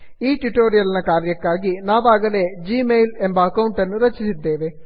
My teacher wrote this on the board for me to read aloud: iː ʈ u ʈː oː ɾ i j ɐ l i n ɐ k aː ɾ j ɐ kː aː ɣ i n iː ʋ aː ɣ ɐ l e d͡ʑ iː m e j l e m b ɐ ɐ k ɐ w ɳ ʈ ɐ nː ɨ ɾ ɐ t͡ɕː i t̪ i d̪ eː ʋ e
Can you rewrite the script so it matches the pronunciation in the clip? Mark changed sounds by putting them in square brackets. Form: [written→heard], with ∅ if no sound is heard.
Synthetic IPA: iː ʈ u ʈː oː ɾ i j ɐ l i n ɐ k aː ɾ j ɐ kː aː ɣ i n [iː→aː] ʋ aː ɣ ɐ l e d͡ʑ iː m e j l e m b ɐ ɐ k ɐ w ɳ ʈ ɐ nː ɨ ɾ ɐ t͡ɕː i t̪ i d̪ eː ʋ e

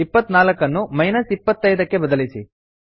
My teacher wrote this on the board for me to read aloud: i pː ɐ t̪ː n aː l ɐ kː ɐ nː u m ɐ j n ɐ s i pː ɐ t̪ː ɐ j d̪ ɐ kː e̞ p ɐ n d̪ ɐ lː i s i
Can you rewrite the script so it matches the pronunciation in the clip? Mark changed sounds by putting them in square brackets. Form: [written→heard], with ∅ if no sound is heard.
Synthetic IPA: i pː ɐ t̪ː n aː l ɐ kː ɐ nː u m ɐ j n ɐ s i pː ɐ t̪ː ɐ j d̪ ɐ kː e̞ [p→b] ɐ [n→∅] d̪ ɐ [lː→l] i s i

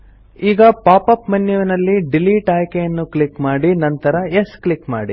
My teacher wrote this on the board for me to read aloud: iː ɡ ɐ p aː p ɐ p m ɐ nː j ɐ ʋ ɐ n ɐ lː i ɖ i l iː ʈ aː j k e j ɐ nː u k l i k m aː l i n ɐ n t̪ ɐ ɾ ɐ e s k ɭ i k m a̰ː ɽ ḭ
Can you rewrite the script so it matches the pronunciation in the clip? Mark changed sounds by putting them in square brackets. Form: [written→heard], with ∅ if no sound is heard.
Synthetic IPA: iː ɡ ɐ p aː p ɐ p m ɐ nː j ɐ ʋ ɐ n ɐ lː i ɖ i l iː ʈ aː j k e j ɐ nː u k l i k m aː [l→ɽ] i n ɐ n t̪ ɐ ɾ ɐ e s k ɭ i k m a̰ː ɽ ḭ

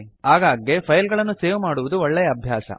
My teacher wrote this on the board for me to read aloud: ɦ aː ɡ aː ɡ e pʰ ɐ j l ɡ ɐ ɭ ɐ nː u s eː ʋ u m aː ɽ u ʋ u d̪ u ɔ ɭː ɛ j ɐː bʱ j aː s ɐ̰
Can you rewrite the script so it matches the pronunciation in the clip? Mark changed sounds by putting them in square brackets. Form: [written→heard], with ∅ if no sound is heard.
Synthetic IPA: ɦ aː ɡ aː ɡ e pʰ ɐ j l ɡ ɐ ɭ ɐ nː u s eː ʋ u m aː ɽ u ʋ u d̪ u ɔ ɭː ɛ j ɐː bʱ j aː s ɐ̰

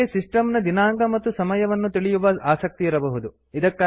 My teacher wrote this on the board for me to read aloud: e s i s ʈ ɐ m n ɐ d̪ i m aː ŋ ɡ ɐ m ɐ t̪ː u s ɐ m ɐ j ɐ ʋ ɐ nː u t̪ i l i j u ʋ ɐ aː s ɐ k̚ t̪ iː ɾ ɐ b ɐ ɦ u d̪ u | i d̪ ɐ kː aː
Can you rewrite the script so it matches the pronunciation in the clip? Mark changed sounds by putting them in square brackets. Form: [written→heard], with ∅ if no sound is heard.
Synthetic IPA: e s i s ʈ ɐ m n ɐ d̪ i [m→n] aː ŋ ɡ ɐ m ɐ t̪ː u s ɐ m ɐ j ɐ ʋ ɐ nː u t̪ i [l→ɭ] i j u ʋ ɐ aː s ɐ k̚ t̪ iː ɾ ɐ b ɐ ɦ u d̪ u | i d̪ ɐ kː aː

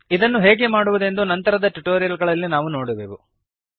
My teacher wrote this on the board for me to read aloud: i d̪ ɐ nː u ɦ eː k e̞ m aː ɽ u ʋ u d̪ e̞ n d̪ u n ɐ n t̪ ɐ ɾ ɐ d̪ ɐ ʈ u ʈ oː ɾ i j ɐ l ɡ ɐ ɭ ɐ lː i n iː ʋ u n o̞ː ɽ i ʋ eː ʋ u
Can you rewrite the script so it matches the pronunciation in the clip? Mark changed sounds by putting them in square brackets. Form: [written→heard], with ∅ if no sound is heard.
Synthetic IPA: i d̪ ɐ nː u ɦ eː [k→ɡ] e̞ m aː ɽ u ʋ u d̪ e̞ n d̪ u n ɐ n t̪ ɐ ɾ ɐ d̪ ɐ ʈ u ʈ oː ɾ i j ɐ l ɡ ɐ ɭ ɐ lː i n [iː→aː] ʋ u n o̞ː ɽ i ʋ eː ʋ u

